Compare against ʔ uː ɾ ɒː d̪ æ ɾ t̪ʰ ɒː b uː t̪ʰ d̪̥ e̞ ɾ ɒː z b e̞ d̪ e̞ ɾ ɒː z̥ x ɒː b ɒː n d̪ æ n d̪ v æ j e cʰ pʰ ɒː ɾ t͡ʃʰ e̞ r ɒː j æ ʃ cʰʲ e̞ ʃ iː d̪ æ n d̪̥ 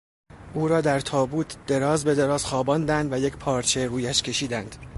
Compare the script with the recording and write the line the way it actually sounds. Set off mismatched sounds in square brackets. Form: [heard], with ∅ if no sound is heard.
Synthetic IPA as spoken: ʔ uː ɾ ɒː d̪ æ ɾ t̪ʰ ɒː b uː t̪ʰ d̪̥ e̞ ɾ ɒː z b e̞ d̪ e̞ ɾ ɒː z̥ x ɒː b ɒː n d̪ æ n d̪ v æ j e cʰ pʰ ɒː ɾ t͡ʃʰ e̞ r [uː] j æ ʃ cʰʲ e̞ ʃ iː d̪ æ n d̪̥